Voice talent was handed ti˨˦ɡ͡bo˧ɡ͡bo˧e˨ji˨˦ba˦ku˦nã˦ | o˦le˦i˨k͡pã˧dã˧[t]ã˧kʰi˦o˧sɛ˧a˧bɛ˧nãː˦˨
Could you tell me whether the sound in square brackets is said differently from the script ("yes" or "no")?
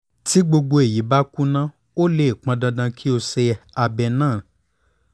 yes